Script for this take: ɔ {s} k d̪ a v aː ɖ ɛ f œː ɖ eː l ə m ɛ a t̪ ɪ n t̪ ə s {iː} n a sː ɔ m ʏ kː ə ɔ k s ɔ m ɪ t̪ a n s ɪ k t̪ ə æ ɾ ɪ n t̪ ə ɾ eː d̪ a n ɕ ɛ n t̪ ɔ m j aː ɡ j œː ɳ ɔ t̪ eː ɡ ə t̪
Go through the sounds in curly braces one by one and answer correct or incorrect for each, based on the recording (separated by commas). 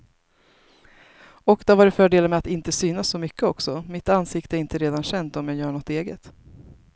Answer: incorrect, incorrect